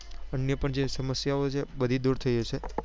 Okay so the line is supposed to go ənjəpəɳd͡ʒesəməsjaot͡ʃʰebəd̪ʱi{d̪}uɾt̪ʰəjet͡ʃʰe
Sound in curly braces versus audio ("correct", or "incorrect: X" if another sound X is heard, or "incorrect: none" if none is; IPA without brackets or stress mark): correct